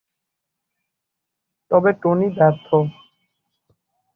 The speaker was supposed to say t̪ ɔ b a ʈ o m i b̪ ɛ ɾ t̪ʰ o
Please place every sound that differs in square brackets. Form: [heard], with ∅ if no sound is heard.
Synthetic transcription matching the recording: t̪ ɔ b [e] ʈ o [n] i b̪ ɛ ɾ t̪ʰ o